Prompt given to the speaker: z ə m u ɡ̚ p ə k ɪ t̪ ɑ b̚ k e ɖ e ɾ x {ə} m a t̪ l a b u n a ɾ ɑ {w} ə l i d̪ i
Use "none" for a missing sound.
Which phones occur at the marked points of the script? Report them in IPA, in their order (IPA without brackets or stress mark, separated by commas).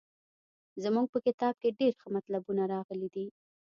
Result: ə, ɣ